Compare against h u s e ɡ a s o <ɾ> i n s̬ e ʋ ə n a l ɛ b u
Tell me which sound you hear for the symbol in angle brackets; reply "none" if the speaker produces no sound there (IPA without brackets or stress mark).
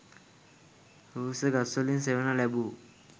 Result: l